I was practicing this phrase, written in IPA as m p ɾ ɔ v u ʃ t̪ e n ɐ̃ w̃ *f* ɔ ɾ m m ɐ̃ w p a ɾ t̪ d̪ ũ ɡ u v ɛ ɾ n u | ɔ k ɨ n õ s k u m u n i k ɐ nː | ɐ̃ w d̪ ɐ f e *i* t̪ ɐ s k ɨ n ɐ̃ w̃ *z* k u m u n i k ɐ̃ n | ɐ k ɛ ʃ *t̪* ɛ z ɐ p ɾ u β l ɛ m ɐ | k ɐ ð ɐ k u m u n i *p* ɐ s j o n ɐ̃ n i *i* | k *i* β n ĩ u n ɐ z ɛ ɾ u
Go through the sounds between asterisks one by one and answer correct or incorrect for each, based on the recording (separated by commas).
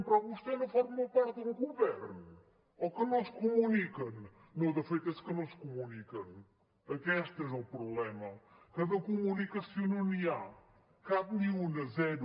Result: correct, incorrect, incorrect, correct, incorrect, incorrect, incorrect